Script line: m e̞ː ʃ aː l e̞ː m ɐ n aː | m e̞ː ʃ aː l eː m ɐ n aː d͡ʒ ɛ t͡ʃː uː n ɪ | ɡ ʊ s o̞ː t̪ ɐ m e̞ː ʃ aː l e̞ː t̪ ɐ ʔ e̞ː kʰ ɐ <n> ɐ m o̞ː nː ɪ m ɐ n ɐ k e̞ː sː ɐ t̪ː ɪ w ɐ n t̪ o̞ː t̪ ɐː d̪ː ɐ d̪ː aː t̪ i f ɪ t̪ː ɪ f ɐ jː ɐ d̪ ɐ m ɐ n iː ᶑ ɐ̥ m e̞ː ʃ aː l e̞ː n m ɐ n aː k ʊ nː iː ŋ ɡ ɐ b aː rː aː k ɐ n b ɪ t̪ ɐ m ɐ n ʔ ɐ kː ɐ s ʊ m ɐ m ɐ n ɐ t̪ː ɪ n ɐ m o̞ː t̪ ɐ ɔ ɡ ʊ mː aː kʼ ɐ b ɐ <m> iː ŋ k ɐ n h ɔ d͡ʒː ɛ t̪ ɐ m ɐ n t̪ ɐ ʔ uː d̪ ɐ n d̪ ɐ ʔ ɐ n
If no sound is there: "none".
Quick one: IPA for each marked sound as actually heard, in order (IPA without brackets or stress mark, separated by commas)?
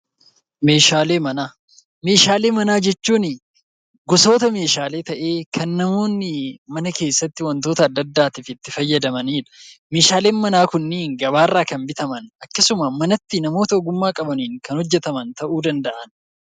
nː, n